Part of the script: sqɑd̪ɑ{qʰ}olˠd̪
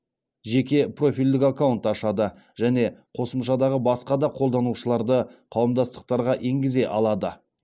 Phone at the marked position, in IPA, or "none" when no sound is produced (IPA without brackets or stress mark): qʰ